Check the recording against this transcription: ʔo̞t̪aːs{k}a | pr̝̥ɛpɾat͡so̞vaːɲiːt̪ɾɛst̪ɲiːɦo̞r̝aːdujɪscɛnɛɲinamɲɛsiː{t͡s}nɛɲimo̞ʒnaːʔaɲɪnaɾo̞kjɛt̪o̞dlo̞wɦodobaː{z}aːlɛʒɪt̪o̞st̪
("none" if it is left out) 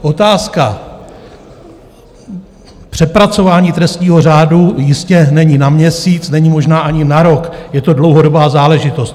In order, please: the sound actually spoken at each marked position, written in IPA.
k, t͡s, z

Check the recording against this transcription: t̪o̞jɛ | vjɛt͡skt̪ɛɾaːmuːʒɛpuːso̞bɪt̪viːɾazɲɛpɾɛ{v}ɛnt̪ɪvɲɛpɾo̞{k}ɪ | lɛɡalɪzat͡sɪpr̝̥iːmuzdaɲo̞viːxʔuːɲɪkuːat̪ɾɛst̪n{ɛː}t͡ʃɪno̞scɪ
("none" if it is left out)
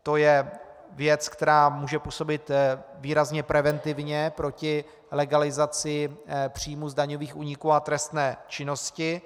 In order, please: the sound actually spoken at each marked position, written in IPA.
v, c, ɛː

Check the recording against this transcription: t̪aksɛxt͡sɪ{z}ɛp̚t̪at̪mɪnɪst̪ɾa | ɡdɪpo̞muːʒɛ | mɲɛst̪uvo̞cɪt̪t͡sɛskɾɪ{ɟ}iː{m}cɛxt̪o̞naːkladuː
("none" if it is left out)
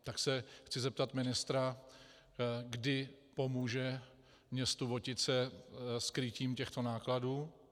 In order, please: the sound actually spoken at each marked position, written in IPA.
z, c, m

